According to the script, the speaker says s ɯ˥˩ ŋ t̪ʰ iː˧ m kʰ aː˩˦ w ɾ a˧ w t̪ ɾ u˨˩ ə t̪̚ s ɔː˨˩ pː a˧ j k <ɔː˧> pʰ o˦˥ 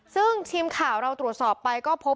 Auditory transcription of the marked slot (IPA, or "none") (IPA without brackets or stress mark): ɔː˥˩